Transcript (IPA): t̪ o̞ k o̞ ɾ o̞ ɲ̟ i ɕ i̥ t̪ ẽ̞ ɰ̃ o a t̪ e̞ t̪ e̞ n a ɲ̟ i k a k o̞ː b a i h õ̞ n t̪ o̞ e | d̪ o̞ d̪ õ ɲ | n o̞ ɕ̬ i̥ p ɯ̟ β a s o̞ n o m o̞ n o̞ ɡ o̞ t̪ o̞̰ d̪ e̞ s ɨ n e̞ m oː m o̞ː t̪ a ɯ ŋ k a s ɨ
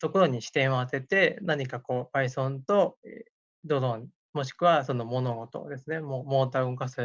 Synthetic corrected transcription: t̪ o̞ k o̞ ɾ o̞ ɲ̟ i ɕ i̥ t̪ ẽ̞ ɰ̃ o a t̪ e̞ t̪ e̞ n a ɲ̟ i k a k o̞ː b a i s õ̞ n t̪ o̞ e | d̪ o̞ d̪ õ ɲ | m o̞ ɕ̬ i̥ k ɯ̟ β a s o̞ n o m o̞ n o̞ ɡ o̞ t̪ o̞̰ d̪ e̞ s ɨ n e̞ m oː m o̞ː t̪ a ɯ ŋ k a s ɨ